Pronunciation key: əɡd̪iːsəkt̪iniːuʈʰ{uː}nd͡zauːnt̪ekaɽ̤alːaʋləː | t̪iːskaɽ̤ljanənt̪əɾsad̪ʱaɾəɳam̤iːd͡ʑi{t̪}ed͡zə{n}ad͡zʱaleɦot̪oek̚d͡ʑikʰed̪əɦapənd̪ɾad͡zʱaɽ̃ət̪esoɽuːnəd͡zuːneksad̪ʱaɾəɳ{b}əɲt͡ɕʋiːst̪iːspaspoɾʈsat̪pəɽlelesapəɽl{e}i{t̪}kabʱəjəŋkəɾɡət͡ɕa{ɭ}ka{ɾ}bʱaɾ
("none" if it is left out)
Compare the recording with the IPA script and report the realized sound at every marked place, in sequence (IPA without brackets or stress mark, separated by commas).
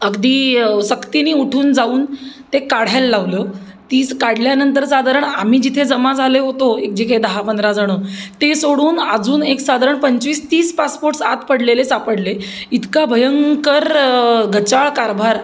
uː, t̪ʰ, m, p, e, t̪, ɭ, ɾ